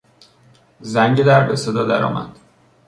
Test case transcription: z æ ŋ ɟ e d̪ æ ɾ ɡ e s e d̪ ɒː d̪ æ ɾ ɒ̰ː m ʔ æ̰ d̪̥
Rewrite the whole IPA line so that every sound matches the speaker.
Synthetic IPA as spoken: z æ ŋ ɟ e d̪ æ ɾ b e s e d̪ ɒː d̪ æ ɾ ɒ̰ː m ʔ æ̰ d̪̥